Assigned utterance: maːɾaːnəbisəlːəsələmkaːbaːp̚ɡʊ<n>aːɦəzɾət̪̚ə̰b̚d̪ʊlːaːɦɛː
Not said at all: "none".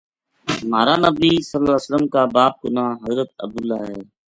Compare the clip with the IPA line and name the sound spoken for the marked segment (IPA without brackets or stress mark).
n